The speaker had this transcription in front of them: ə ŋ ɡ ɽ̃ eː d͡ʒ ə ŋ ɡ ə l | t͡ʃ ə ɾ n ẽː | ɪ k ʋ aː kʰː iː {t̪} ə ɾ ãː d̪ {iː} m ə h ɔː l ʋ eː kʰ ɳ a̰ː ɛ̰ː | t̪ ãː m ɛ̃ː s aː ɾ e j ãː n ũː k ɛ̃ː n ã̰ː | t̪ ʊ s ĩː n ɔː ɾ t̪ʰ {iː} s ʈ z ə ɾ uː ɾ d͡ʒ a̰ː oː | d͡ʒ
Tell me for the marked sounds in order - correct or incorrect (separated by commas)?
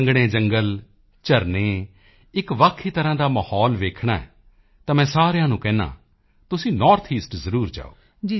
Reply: correct, incorrect, correct